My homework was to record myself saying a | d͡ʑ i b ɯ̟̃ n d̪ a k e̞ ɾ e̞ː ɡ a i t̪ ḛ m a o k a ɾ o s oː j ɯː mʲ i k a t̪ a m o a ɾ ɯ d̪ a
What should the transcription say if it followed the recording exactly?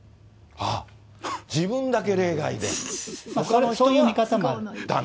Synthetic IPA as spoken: a | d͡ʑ i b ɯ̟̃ n d̪ a k e̞ ɾ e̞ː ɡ a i d̪ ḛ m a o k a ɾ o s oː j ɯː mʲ i k a t̪ a m o a ɾ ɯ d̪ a